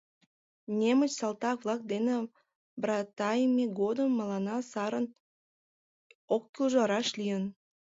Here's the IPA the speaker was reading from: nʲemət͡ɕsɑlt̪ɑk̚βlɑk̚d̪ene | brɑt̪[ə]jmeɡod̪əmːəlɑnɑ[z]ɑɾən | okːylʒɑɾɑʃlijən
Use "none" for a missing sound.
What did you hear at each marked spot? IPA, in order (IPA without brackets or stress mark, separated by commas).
ɑ, s